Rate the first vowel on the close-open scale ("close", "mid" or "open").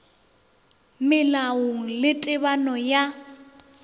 close